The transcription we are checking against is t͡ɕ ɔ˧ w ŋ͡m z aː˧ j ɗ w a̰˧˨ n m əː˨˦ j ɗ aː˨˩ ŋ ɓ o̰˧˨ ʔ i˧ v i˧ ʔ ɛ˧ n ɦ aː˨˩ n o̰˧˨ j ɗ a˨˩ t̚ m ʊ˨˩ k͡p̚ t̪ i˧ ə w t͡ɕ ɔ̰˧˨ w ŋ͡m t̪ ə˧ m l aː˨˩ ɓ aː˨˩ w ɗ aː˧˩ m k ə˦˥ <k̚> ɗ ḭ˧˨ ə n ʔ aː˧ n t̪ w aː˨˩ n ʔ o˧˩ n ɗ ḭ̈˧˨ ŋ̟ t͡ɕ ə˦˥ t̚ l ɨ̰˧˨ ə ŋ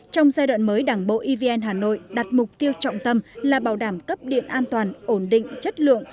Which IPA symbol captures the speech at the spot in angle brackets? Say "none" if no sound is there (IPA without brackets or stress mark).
p̚